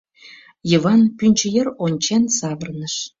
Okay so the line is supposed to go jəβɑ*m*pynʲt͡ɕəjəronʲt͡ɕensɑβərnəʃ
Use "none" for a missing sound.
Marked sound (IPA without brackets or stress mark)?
n